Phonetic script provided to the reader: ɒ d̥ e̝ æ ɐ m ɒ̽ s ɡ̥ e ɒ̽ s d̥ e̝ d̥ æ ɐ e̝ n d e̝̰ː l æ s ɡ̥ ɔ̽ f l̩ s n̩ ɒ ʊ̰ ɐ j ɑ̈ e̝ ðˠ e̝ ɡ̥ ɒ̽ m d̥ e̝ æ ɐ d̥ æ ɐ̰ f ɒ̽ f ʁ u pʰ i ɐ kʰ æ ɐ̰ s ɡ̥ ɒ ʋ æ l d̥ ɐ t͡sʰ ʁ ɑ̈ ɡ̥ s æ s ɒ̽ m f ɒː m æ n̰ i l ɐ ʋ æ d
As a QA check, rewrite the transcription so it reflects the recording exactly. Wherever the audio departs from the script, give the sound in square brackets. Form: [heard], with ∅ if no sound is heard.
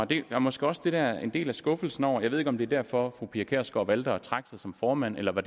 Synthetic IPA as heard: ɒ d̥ e̝ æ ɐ m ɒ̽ s ɡ̥ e ɒ̽ s d̥ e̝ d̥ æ ɐ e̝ n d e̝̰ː l æ s ɡ̥ ɔ̽ f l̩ s n̩ ɒ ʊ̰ ɐ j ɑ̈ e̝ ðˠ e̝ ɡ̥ ɒ̽ m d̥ e̝ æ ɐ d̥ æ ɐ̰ f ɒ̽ f ʁ u pʰ i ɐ kʰ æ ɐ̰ s ɡ̥ ɒ ʋ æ l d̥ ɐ t͡sʰ ʁ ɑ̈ ɡ̥ s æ s ɒ̽ m f ɒː m æ n̰ [e] l ɐ ʋ æ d